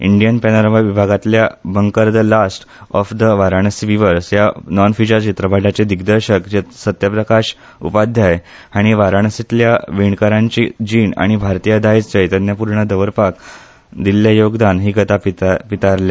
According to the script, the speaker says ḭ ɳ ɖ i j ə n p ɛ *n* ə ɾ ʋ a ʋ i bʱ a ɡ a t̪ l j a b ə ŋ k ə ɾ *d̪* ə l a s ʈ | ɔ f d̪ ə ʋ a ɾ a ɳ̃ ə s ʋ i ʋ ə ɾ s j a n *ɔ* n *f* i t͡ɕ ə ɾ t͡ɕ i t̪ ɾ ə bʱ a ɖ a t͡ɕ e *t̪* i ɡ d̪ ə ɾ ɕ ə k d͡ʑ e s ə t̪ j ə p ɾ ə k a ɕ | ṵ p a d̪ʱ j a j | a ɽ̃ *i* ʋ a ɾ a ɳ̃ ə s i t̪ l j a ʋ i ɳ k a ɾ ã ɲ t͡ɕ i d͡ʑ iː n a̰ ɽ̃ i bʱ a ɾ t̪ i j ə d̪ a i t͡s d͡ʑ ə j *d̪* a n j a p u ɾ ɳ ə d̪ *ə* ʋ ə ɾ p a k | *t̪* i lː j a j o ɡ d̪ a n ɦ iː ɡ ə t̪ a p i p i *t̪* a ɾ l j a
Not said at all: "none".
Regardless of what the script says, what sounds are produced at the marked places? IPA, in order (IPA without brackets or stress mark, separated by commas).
n, d̪, ɔ, f, d̪, i, t̪, ə, d̪, t̪